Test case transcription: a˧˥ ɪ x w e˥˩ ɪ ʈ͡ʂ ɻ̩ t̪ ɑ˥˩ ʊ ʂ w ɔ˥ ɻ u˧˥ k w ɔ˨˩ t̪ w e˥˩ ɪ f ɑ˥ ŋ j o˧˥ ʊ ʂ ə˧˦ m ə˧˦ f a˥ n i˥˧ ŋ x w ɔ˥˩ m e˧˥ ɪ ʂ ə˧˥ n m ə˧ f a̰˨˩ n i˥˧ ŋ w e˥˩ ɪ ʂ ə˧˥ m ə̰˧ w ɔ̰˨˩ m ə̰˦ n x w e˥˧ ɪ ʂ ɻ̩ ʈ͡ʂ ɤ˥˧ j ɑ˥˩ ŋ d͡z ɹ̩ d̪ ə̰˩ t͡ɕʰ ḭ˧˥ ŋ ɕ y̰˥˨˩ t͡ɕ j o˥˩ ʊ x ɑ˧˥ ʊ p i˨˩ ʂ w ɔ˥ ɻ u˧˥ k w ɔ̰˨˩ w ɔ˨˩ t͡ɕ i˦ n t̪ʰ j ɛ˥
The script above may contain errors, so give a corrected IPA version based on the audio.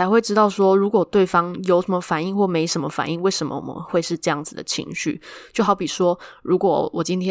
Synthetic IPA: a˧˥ ɪ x w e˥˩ ɪ ʈ͡ʂ ɻ̩ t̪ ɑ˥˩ ʊ ʂ w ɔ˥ ɻ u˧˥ k w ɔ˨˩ t̪ w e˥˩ ɪ f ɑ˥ ŋ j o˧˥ ʊ ʂ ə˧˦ m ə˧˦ f a˨˩ n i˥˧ ŋ x w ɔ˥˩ m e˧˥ ɪ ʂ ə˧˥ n m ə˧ f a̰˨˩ n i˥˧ ŋ w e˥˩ ɪ ʂ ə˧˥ m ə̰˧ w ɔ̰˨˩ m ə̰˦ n x w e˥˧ ɪ ʂ ɻ̩ ʈ͡ʂ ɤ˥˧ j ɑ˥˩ ŋ d͡z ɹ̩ d̪ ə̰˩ t͡ɕʰ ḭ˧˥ ŋ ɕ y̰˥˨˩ t͡ɕ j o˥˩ ʊ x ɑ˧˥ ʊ p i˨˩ ʂ w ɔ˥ ɻ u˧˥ k w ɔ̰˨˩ w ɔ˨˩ t͡ɕ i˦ n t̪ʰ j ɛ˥